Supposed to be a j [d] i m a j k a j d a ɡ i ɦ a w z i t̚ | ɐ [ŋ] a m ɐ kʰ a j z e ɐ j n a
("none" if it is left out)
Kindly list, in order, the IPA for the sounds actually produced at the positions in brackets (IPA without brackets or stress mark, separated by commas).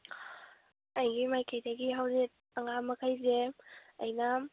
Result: ɡ, ŋ